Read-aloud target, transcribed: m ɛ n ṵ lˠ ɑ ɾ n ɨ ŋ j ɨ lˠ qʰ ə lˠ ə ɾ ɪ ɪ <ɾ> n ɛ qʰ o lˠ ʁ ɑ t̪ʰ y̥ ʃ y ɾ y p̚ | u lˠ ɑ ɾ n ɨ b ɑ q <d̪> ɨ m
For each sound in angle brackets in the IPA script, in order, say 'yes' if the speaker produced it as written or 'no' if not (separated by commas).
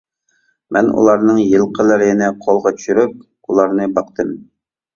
no, no